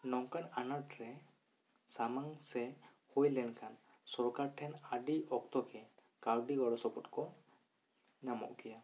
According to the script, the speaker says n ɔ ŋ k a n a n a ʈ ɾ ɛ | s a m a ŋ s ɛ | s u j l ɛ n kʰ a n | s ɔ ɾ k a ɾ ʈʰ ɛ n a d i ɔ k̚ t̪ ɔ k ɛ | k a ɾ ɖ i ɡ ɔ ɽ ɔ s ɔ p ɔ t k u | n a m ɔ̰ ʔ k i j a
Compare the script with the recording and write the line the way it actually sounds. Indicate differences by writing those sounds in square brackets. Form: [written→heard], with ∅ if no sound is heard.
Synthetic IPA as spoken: n ɔ ŋ k a n a n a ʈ ɾ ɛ | s a m a ŋ s ɛ | [s→h] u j l ɛ n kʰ a n | s ɔ ɾ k a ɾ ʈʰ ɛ n a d i ɔ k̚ t̪ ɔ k ɛ | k a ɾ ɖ i ɡ ɔ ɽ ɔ s ɔ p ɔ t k [u→ɔ] | n a m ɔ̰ ʔ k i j a